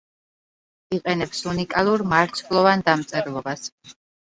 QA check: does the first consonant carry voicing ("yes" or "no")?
no